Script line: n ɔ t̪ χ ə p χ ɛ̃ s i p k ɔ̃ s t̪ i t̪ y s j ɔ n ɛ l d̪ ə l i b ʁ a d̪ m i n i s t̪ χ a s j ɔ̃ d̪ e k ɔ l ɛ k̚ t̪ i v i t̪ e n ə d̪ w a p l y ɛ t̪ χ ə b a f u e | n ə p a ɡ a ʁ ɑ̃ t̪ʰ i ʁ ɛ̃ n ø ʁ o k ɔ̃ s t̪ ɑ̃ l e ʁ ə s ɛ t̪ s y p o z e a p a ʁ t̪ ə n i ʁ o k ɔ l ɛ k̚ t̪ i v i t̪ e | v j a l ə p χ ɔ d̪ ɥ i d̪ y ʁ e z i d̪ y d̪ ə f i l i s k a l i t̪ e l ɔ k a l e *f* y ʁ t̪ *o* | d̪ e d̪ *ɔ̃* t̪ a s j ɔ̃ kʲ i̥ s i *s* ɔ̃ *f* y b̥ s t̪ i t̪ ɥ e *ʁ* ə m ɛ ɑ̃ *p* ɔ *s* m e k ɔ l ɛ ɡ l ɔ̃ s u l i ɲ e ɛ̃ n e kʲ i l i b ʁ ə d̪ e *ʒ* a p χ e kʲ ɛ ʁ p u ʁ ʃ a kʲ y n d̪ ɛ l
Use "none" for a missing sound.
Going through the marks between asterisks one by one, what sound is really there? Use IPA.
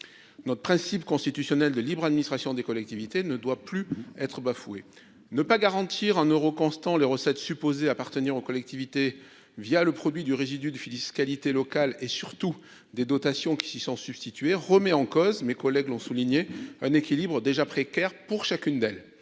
s, u, ɔ, s, s, ʁ, k, z, ʒ

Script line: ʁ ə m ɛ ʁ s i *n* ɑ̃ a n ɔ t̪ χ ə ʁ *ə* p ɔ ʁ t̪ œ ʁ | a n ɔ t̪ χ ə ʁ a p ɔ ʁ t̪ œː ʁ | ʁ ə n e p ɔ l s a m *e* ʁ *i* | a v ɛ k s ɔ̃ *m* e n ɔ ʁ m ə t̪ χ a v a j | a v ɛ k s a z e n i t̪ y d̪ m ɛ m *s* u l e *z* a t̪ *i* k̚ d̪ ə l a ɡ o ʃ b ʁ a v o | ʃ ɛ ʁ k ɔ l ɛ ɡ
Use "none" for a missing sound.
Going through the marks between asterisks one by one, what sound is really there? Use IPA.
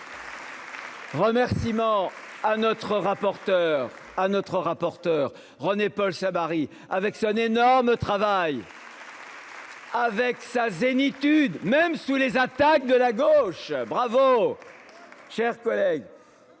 m, a, a, i, n, s, z, a

